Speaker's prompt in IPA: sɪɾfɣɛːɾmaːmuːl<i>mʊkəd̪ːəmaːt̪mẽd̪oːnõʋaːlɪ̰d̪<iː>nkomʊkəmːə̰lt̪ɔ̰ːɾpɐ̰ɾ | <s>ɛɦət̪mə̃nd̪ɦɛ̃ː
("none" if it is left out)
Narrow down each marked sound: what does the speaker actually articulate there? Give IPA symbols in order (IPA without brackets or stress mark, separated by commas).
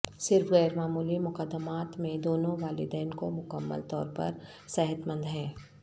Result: i, ɛː, s